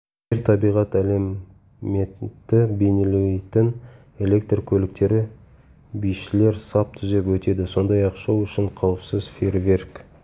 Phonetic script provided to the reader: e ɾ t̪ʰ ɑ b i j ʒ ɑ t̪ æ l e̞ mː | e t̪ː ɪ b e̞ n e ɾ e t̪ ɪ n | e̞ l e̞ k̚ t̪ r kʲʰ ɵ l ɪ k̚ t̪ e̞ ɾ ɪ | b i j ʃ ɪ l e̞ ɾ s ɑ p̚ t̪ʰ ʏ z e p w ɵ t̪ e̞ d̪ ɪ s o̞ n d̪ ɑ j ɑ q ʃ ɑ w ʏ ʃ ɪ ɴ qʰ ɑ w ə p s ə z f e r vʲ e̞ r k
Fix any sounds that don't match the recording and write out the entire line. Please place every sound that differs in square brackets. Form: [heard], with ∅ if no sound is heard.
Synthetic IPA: e ɾ t̪ʰ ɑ b i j [ʁ] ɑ t̪ æ l e̞ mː | e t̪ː ɪ b e̞ n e [l] e t̪ ɪ n | e̞ l e̞ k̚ t̪ r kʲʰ ɵ l ɪ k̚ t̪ e̞ ɾ ɪ | b i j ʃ ɪ l e̞ ɾ s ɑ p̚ t̪ʰ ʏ z e p w ɵ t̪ e̞ d̪ ɪ s o̞ n d̪ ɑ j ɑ q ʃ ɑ w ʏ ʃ ɪ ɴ qʰ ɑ w ə p s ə z f e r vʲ e̞ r k